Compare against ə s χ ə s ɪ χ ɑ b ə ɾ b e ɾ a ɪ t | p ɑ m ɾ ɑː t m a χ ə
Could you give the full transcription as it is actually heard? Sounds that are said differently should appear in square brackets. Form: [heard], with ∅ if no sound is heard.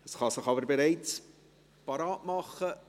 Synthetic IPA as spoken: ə s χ [ɑ] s ɪ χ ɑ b ə ɾ b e ɾ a ɪ [t͡s] | p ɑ [∅] ɾ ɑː t m [ɑ] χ ə